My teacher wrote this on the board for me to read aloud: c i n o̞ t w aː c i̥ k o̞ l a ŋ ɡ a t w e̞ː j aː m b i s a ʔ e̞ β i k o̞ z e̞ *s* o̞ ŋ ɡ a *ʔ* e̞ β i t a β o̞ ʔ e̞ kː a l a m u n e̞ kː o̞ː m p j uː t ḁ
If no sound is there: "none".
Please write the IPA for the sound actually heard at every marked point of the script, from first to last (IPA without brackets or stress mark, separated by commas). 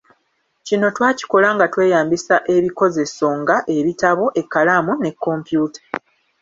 s, ʔ